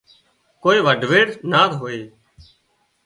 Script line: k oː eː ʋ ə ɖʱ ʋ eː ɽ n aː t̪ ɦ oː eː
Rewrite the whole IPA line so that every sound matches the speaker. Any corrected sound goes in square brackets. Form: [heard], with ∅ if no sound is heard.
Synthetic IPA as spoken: k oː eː ʋ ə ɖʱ ʋ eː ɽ n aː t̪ ɦ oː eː